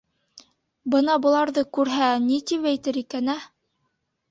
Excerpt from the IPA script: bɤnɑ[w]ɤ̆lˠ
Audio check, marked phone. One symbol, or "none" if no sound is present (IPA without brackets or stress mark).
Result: b